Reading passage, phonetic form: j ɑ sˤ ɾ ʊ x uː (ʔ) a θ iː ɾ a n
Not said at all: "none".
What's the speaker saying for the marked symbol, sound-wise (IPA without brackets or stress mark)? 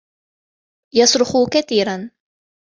k